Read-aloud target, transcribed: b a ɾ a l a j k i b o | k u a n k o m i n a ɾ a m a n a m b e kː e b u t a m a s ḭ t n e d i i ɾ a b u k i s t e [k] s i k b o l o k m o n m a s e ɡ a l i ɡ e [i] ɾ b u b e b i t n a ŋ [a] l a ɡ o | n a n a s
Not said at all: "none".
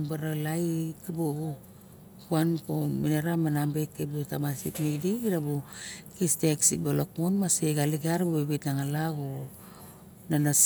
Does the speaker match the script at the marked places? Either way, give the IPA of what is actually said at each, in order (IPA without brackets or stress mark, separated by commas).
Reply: k, a, a